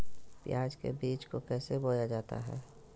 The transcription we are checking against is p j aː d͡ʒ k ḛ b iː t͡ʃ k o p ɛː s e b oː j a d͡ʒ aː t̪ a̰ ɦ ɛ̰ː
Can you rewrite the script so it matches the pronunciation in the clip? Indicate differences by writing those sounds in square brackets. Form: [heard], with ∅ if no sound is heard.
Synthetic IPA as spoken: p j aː d͡ʒ k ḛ b iː t͡ʃ k o [k] ɛː s e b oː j a d͡ʒ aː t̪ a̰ ɦ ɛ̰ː